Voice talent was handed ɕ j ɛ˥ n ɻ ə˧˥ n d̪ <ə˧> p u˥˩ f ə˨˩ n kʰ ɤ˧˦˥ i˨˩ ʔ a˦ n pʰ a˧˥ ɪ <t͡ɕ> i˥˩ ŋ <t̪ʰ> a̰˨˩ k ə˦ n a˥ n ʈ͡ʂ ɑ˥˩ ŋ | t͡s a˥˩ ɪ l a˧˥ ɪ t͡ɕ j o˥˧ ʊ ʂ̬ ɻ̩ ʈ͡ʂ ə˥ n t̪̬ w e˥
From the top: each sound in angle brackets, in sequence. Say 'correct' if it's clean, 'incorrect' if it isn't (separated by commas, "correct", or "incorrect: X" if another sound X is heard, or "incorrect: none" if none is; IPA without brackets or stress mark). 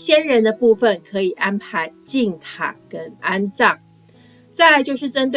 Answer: correct, correct, correct